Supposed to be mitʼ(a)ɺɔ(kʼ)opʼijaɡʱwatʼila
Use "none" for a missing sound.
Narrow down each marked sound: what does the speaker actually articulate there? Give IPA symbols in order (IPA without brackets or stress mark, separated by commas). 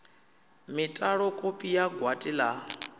a, kʼ